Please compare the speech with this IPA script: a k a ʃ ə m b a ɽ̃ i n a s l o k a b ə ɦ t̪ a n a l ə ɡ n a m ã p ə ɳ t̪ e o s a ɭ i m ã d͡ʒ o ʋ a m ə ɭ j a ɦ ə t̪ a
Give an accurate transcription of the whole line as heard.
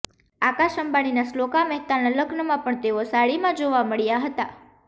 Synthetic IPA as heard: a k a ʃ ə m b a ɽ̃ i n a s l o k a m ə ɦ t̪ a n a l ə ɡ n ə m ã p ə ɳ t̪ e o s a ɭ i m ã d͡ʒ o ʋ a m ə ɭ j a ɦ ə t̪ a